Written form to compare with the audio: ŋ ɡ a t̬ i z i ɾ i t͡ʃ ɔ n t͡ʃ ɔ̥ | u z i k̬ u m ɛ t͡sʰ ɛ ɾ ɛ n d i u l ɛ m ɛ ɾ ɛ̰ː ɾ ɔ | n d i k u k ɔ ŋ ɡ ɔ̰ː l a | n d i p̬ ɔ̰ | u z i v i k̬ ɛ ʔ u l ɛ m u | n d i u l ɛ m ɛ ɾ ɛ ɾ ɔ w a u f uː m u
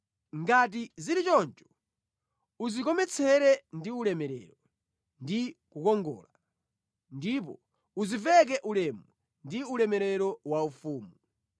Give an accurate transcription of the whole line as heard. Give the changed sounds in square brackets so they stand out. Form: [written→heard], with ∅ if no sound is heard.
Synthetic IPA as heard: ŋ ɡ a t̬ i z i ɾ i t͡ʃ ɔ n t͡ʃ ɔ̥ | u z i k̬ [u→ɔ] m ɛ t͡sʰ ɛ ɾ ɛ n d i u l ɛ m ɛ ɾ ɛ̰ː ɾ ɔ | n d i k u k ɔ ŋ ɡ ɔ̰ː l a | n d i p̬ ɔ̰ | u z i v [i→ɛ] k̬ ɛ ʔ u l ɛ m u | n d i u l ɛ m ɛ ɾ ɛ ɾ ɔ w a u f uː m u